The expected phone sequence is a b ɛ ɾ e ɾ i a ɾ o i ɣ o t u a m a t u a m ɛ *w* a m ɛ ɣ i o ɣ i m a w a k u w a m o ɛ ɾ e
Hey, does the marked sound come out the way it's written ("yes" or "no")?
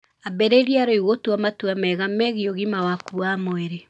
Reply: no